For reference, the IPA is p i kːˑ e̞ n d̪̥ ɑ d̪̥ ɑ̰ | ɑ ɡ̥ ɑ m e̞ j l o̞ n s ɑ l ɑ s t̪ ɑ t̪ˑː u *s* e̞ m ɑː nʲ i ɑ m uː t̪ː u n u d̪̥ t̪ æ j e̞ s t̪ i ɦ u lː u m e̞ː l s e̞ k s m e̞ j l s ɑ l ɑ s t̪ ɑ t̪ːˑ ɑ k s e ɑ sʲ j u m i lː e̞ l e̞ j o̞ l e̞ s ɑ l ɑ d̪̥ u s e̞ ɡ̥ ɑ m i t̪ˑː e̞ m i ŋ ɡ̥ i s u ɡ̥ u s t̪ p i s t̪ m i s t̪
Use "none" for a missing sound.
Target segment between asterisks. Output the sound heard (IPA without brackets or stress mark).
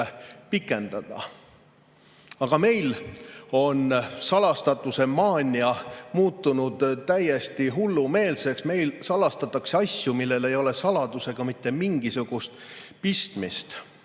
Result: s